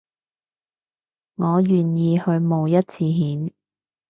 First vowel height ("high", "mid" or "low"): mid